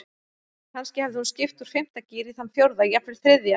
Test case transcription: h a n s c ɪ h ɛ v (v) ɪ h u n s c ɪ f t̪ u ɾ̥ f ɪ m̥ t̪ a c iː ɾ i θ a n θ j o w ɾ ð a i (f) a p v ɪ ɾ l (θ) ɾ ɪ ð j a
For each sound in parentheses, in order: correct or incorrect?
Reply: incorrect, incorrect, correct

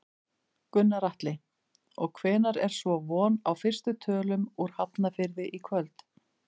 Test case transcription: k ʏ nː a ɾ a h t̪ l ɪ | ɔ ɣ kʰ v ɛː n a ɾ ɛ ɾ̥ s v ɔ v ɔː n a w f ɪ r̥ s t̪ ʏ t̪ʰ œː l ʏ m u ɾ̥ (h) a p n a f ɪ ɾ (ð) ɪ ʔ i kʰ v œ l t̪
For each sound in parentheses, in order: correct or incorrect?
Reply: correct, correct

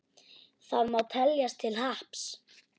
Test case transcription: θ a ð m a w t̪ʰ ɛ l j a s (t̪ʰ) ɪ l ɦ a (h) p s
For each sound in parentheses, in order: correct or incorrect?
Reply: correct, correct

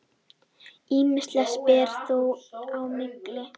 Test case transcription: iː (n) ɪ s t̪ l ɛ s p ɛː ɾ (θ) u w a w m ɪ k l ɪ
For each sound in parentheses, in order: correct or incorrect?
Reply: incorrect, correct

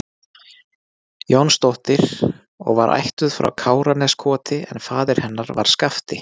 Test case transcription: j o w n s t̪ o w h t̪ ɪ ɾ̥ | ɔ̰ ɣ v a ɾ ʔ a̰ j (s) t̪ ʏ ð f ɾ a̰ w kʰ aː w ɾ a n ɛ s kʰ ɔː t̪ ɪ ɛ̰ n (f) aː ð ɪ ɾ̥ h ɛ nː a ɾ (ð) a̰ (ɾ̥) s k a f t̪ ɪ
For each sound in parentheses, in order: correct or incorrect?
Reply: incorrect, correct, incorrect, correct

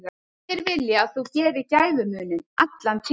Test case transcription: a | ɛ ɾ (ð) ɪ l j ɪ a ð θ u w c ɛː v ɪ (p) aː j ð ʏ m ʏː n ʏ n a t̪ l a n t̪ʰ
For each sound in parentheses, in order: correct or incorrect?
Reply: incorrect, incorrect

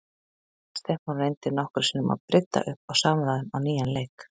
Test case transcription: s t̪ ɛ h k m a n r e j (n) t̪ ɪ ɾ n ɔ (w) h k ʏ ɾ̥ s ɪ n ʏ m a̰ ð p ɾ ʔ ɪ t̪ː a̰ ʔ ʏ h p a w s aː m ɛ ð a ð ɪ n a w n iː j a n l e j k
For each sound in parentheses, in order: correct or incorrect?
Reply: correct, incorrect

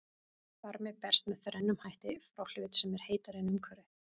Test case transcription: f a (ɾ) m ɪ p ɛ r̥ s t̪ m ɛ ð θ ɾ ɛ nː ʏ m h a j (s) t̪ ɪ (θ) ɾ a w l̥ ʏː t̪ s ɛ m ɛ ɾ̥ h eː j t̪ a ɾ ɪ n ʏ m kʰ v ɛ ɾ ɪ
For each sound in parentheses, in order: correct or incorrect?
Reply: correct, incorrect, incorrect

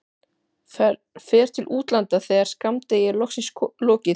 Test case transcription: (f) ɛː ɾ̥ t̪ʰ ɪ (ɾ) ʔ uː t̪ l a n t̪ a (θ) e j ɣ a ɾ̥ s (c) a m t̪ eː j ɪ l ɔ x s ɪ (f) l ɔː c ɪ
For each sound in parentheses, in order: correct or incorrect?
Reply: correct, incorrect, correct, incorrect, incorrect

